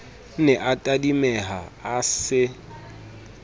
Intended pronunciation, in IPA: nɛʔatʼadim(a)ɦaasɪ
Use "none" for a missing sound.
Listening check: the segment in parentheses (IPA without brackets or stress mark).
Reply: ɛ